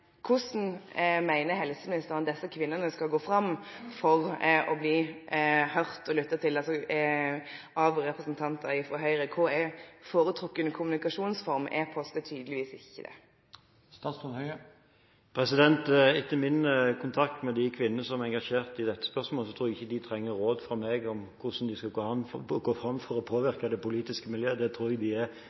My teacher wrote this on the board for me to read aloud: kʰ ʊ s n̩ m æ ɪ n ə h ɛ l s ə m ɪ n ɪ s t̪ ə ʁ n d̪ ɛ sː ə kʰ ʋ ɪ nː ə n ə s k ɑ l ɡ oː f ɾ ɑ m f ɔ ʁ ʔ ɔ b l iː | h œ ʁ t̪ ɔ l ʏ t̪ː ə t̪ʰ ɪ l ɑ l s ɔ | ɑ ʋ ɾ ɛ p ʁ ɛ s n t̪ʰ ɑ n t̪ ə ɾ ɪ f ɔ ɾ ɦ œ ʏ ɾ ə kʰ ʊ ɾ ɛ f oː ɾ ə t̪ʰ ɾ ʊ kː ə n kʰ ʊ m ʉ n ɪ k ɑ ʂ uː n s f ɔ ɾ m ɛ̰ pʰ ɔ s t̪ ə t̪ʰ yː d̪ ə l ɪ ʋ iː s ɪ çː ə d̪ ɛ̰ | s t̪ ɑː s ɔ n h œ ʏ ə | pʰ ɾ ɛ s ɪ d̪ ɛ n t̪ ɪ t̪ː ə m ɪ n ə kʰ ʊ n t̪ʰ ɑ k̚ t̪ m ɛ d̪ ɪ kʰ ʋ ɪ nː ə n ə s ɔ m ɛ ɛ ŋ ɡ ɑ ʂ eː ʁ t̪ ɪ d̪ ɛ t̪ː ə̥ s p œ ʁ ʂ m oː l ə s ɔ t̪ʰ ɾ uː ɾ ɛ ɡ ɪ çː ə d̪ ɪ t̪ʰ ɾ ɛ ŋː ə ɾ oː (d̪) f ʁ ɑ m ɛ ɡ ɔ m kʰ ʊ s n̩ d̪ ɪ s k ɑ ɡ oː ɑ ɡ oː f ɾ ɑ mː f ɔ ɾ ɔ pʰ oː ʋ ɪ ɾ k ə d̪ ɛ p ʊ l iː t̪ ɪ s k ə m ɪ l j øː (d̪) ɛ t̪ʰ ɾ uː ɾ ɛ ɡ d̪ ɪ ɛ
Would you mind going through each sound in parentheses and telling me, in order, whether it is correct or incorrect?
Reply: correct, correct

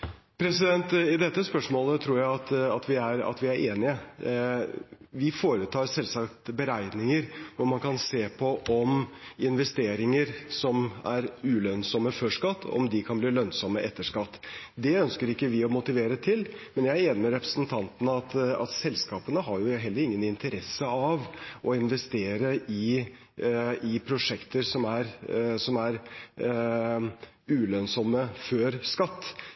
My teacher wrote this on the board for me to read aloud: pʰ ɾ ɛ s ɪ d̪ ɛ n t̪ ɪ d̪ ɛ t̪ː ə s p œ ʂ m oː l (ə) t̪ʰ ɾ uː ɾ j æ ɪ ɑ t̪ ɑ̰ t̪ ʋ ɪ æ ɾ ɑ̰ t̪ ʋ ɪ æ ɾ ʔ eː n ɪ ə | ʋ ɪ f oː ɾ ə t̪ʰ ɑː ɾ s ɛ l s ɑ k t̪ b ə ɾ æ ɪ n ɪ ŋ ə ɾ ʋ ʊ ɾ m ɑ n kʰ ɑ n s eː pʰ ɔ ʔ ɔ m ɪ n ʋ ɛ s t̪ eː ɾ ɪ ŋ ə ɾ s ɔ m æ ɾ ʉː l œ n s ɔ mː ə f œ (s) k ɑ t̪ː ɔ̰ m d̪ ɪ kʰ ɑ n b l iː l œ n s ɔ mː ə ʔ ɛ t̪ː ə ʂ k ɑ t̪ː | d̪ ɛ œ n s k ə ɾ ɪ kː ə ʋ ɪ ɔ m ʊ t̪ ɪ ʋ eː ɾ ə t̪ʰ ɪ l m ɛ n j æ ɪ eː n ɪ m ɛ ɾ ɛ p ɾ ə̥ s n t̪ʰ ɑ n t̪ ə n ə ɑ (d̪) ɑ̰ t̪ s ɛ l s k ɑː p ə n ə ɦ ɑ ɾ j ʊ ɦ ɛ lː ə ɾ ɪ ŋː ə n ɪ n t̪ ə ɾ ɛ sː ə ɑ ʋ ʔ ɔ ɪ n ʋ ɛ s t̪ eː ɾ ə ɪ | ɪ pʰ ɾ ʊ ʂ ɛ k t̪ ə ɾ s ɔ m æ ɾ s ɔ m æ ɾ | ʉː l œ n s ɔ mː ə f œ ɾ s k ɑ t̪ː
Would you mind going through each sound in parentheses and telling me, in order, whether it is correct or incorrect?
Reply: correct, incorrect: ʂ, incorrect: t̪

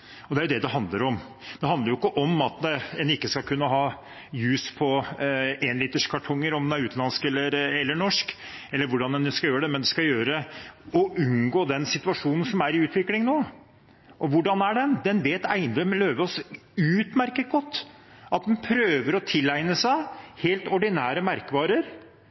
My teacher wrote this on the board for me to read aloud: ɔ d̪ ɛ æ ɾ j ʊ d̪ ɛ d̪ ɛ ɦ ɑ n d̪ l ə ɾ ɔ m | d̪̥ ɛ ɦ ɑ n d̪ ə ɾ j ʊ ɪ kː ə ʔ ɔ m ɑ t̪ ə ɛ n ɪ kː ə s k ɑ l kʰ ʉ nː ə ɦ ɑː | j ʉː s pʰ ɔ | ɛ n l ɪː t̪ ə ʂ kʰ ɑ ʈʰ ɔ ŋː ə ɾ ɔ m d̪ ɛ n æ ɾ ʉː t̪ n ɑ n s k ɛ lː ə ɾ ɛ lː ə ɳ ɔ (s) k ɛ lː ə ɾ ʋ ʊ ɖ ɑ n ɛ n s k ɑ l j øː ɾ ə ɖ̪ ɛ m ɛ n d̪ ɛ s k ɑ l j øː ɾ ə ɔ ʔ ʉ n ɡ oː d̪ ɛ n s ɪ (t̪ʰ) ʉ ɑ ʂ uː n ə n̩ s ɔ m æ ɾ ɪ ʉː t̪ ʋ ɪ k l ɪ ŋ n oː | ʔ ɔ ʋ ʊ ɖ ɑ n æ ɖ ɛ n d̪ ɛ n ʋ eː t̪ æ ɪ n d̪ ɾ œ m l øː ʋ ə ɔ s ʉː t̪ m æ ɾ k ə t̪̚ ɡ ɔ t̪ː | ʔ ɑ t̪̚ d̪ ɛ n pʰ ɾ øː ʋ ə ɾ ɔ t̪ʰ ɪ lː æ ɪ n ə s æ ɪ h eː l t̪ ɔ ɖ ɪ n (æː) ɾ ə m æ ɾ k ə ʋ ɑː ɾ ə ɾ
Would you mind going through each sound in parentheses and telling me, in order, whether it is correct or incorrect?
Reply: incorrect: ʂ, incorrect: t̪, correct

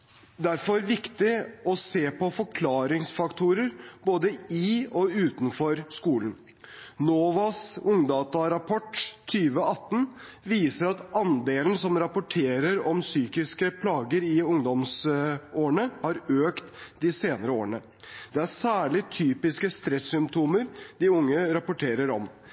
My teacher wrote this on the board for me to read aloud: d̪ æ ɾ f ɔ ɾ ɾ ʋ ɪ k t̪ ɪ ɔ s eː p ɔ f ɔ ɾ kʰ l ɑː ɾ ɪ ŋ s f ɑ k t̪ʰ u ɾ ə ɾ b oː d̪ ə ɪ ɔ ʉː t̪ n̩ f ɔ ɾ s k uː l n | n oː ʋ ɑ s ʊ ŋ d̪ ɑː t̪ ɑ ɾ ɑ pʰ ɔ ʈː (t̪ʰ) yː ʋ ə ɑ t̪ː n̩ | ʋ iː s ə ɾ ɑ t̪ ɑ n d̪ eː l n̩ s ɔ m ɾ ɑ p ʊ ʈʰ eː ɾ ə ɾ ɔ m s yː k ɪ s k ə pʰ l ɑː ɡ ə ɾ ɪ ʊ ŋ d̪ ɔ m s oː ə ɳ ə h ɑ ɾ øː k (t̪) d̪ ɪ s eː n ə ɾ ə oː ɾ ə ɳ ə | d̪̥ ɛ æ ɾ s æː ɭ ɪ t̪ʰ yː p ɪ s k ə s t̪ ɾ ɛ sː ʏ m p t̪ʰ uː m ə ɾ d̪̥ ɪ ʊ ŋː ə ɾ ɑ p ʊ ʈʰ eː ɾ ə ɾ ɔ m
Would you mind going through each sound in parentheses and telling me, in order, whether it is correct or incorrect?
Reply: correct, correct

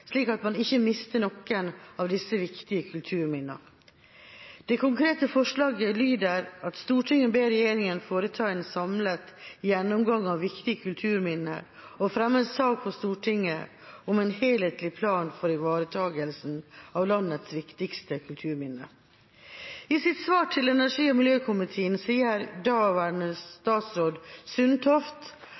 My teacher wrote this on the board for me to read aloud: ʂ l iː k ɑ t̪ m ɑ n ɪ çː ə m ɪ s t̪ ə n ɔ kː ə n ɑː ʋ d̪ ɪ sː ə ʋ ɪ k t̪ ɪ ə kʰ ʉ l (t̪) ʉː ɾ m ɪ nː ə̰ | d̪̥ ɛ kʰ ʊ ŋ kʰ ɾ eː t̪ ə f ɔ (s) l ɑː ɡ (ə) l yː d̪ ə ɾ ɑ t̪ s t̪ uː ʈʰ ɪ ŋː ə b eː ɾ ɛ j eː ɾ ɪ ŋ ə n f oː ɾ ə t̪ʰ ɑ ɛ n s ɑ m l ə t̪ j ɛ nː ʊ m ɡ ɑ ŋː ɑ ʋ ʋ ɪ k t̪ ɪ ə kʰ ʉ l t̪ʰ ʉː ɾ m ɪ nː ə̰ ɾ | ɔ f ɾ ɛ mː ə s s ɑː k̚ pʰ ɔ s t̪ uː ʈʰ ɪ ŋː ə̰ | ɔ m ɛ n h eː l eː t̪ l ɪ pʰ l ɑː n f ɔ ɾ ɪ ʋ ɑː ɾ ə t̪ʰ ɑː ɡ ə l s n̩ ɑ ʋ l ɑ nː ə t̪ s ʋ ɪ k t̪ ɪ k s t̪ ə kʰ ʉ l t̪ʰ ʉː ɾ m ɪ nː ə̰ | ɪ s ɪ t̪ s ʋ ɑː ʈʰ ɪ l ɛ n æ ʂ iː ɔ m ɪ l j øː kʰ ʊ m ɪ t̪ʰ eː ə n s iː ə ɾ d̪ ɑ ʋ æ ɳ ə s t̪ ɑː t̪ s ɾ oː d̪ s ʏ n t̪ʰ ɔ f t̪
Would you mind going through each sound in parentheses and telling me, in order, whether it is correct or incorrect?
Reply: incorrect: t̪ʰ, incorrect: ʂ, correct

